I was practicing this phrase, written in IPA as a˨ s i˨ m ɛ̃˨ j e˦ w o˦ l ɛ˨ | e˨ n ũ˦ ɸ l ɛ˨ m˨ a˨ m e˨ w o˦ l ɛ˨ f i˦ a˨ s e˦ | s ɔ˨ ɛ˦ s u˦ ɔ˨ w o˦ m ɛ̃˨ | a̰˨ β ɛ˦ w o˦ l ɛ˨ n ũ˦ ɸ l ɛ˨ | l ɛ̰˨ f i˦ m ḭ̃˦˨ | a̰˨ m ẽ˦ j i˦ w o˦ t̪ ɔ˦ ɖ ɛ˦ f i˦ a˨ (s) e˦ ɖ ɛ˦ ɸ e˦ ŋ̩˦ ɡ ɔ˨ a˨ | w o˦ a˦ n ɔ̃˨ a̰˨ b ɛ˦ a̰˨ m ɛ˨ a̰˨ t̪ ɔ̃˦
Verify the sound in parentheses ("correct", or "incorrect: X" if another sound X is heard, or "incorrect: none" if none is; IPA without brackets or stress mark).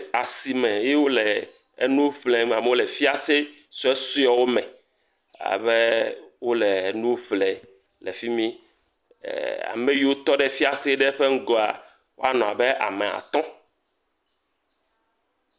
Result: correct